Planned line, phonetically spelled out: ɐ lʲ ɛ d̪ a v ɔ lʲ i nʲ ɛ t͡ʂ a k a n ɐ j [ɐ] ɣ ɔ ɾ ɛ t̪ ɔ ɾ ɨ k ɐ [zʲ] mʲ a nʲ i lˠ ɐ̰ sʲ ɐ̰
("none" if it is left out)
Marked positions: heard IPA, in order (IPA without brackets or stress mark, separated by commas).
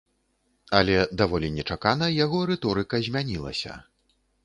a, zʲ